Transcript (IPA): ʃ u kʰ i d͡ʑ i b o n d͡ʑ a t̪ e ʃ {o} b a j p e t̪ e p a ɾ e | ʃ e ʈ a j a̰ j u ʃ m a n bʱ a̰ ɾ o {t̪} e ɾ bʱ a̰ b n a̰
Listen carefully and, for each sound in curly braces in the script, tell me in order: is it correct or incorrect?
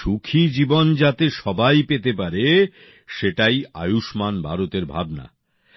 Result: incorrect, correct

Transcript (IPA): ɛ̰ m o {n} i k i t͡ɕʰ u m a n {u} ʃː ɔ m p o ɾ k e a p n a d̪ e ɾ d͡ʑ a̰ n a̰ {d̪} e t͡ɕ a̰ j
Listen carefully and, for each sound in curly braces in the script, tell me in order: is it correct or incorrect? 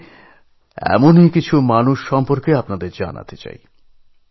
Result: correct, correct, incorrect

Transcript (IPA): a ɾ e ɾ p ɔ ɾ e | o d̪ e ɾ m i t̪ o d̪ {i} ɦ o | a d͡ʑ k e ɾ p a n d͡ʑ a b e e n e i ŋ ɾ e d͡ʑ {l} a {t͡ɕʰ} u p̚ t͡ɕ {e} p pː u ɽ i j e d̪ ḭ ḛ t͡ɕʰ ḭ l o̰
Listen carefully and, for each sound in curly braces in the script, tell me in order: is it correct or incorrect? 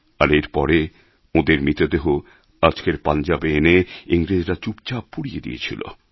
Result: incorrect, incorrect, incorrect, incorrect

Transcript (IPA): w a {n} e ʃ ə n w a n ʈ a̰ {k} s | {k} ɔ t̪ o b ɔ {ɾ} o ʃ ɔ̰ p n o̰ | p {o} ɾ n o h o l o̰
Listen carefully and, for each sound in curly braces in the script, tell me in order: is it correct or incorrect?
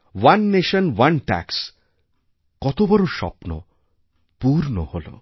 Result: incorrect, correct, correct, correct, incorrect

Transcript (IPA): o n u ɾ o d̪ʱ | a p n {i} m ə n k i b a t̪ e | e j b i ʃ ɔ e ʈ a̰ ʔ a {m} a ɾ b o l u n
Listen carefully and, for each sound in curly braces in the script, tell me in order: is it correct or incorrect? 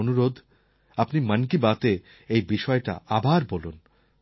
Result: correct, incorrect

